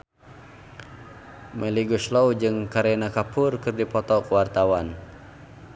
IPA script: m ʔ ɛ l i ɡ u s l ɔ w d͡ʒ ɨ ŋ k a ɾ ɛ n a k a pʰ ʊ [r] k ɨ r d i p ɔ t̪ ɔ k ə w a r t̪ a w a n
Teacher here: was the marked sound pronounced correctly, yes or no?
yes